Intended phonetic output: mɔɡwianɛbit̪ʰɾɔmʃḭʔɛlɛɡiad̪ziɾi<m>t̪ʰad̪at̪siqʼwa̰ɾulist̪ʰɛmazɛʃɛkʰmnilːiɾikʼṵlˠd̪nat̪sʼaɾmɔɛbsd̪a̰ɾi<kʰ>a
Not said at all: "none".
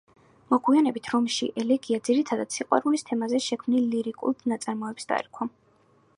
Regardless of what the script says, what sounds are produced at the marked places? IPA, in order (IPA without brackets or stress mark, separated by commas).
none, kʰ